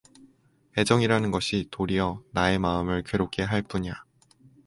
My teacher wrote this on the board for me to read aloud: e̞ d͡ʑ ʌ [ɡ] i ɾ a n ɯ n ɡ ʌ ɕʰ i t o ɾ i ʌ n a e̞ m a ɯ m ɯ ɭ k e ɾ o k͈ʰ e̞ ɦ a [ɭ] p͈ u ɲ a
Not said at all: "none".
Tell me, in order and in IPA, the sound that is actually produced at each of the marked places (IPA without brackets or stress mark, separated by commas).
ŋ, ɭ